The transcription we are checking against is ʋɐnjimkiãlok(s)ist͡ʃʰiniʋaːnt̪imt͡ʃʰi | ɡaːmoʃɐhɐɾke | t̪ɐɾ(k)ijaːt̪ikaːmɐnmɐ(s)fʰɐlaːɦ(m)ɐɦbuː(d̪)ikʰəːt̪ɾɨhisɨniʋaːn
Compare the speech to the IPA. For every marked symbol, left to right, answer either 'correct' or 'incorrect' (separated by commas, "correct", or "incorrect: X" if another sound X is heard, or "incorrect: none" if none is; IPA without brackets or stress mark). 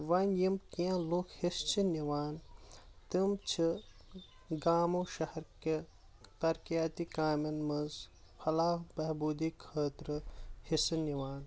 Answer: incorrect: h, correct, incorrect: z, incorrect: b, correct